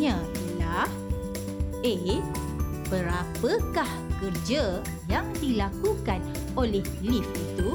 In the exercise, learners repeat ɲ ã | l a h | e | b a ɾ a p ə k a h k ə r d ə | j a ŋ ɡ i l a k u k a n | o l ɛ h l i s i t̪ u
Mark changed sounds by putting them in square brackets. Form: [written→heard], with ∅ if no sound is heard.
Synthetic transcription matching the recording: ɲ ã | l a h | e | b [a→ə] ɾ a p ə k a h k ə r [d→d͡ʒ] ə | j a ŋ [ɡ→d] i l a k u k a n | o l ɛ h l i [s→f] i t̪ u